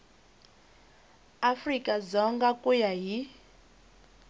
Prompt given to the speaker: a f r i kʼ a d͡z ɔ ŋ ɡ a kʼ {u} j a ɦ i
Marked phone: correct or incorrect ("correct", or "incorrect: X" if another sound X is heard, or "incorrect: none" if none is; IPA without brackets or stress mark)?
correct